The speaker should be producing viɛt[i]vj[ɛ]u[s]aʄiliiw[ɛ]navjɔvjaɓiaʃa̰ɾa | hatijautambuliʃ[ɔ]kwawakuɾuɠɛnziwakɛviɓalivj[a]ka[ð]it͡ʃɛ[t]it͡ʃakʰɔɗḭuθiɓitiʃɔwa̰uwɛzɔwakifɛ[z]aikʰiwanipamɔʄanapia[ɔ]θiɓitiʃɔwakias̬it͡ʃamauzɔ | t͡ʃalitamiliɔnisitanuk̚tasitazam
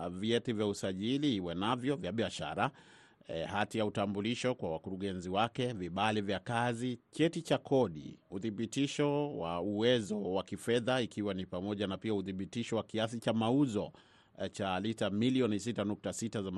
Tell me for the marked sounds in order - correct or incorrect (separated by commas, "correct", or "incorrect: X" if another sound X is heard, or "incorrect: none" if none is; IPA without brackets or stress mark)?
correct, incorrect: a, correct, correct, correct, correct, incorrect: z, correct, incorrect: ð, incorrect: u